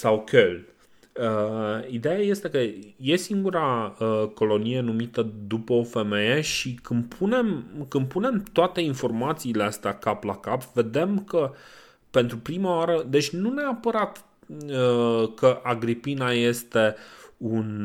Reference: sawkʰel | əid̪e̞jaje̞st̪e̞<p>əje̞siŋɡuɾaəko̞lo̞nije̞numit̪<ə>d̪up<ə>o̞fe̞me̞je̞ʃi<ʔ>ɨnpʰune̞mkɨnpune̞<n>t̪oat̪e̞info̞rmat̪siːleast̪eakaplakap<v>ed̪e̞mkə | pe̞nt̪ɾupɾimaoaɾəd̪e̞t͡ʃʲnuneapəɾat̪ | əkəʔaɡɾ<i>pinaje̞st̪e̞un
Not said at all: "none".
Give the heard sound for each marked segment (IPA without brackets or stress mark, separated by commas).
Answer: k, ə, ə, k, m, v, i